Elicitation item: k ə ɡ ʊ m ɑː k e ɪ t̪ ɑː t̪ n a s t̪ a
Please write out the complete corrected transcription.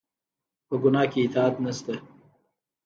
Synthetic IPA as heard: p ə ɡ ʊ n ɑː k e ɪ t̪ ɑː t̪ n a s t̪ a